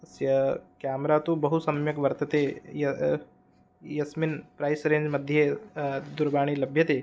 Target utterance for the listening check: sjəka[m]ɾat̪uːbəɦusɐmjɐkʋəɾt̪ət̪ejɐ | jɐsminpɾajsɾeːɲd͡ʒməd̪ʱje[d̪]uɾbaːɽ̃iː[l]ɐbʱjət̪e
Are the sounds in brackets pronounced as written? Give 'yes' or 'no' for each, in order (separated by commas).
yes, yes, yes